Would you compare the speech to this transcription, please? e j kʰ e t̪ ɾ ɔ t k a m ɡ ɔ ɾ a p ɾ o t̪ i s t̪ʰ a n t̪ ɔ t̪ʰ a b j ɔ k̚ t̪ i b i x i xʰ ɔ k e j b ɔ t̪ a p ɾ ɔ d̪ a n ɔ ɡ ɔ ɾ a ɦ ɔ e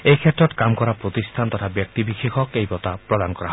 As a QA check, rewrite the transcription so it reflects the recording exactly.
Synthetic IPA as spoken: e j kʰ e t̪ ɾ ɔ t k a m k ɔ ɾ a p ɾ o t̪ i s t̪ʰ a n t̪ ɔ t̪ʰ a b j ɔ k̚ t̪ i b i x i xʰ ɔ k e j b ɔ t̪ a p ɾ ɔ d̪ a n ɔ k ɔ ɾ a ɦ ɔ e